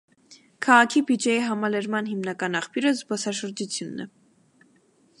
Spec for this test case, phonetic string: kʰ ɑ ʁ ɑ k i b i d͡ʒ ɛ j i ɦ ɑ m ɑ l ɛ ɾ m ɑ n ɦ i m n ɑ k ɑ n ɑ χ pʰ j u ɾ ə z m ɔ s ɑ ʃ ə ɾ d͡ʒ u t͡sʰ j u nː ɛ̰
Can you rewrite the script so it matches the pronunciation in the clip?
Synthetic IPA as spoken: kʰ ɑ ʁ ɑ kʰ i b i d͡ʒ ɛ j i ɦ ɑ m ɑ l ɛ ɾ m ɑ n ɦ i m n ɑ k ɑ n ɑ χ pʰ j u ɾ ə z b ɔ s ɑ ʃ ə ɾ d͡ʒ u t͡sʰ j u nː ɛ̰